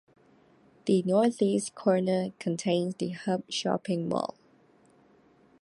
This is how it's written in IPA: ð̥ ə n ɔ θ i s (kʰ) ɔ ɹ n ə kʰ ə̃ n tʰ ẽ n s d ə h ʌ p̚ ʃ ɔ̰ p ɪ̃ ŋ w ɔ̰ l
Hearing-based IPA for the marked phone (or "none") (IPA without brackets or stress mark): kʰ